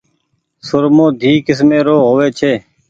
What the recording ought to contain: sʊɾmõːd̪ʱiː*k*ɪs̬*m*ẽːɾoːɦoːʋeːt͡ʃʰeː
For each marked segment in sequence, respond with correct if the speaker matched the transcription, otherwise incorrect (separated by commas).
correct, correct